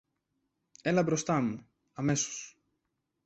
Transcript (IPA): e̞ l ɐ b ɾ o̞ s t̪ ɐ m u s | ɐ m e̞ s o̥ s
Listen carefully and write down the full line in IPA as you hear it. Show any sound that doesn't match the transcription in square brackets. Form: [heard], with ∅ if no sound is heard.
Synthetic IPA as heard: e̞ l ɐ b ɾ o̞ s t̪ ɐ m u [∅] | ɐ m e̞ s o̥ s